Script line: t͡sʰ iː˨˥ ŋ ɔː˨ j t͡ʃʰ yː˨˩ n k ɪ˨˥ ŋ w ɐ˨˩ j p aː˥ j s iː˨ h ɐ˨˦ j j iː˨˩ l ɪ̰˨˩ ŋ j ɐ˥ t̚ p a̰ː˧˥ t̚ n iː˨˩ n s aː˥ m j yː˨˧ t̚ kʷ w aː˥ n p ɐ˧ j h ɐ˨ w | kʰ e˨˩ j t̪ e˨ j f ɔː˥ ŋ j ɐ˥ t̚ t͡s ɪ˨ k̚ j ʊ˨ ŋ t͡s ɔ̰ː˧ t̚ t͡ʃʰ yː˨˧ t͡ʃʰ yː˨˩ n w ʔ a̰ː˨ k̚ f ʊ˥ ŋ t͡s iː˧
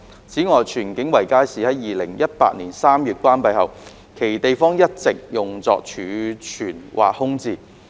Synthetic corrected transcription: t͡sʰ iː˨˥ ŋ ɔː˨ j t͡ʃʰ yː˨˩ n k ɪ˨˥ ŋ w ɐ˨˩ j k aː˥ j s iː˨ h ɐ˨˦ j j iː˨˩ l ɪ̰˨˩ ŋ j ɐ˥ t̚ p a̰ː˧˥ t̚ n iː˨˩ n s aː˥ m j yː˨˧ t̚ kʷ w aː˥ n p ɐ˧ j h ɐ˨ w | kʰ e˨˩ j t̪ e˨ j f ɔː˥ ŋ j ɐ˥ t̚ t͡s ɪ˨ k̚ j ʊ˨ ŋ t͡s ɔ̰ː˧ k̚ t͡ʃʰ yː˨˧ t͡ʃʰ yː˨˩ n w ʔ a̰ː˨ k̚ h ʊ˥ ŋ t͡s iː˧